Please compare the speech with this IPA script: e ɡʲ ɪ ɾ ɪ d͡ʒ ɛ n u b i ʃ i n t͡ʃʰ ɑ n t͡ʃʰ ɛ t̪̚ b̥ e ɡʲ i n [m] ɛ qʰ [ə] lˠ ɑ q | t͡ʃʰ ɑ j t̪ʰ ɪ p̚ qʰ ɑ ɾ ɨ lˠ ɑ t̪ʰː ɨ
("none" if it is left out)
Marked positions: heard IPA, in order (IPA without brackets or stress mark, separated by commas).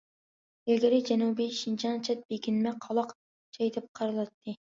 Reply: m, ɑ